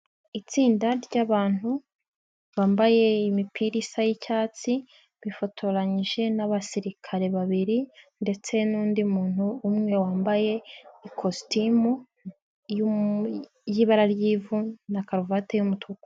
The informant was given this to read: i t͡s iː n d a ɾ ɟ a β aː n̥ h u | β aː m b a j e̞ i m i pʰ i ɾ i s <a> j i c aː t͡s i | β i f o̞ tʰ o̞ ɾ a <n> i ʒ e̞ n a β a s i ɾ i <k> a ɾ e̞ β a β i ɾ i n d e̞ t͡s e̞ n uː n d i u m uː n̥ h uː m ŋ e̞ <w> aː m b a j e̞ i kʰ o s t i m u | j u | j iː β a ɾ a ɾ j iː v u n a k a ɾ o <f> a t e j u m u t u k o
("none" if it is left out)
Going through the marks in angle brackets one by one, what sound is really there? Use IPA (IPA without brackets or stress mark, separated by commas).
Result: a, ɲ, kʰ, w, v